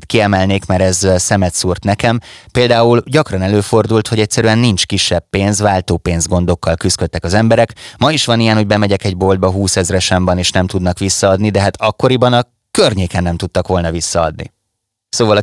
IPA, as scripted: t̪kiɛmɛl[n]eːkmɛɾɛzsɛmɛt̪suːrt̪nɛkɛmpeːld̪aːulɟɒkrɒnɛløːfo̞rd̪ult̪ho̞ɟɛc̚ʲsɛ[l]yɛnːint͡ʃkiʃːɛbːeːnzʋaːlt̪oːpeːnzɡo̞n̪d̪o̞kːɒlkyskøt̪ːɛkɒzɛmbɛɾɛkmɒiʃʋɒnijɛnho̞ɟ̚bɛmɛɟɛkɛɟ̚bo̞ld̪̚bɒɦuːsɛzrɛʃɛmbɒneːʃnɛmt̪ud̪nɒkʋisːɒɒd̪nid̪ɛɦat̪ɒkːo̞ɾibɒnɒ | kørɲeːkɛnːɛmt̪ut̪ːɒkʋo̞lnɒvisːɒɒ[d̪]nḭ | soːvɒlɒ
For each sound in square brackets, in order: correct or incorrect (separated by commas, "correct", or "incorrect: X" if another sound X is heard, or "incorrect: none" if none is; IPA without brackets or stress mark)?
correct, incorrect: ɾ, correct